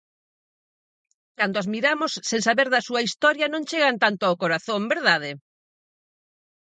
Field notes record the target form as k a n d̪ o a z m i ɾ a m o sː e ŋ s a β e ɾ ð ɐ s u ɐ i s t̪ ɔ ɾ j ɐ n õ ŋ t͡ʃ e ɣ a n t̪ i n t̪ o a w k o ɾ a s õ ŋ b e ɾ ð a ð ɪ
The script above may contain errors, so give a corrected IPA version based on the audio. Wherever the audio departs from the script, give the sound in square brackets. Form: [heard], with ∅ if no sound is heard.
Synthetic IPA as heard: k a n d̪ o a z m i ɾ a m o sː e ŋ s a β e ɾ ð ɐ s u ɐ i s t̪ ɔ ɾ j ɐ n õ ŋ t͡ʃ e ɣ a n t̪ [a] n t̪ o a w k o ɾ a [θ] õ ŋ b e ɾ ð a ð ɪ